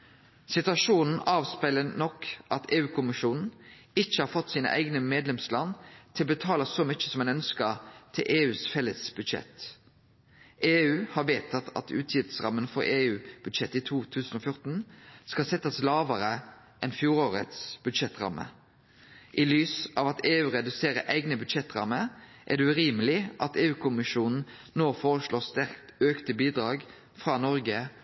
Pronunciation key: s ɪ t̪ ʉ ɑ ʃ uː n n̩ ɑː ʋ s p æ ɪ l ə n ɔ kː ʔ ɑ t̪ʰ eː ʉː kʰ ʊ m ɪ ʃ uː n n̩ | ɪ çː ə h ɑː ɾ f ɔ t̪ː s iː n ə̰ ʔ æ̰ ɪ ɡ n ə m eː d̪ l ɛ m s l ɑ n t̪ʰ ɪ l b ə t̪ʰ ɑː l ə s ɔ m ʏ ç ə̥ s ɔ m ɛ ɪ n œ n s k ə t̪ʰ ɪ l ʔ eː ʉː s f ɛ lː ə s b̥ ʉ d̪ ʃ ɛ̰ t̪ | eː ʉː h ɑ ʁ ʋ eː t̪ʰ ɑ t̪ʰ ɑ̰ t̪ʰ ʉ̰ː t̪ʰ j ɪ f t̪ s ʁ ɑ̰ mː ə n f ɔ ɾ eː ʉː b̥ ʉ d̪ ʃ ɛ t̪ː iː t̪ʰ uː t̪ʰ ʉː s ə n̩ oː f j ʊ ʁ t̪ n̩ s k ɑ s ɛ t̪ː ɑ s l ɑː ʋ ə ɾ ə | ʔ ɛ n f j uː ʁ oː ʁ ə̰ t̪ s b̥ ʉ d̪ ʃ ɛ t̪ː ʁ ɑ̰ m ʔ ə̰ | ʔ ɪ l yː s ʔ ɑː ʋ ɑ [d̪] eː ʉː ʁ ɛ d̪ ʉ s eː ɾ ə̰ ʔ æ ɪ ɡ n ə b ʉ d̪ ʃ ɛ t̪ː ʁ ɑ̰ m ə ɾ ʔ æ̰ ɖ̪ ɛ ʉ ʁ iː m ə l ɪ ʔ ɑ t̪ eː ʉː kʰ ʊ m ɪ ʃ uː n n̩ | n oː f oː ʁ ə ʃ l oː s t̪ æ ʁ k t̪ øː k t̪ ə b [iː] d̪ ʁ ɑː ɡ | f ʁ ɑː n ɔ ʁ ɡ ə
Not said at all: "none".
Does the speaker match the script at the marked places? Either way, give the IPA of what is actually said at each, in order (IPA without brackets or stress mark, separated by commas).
t̪, iː